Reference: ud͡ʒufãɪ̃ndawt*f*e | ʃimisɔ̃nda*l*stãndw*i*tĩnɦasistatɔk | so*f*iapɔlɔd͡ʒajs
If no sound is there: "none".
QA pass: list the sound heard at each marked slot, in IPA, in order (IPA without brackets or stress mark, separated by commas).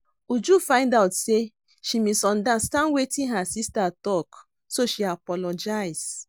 s, none, e, ʃ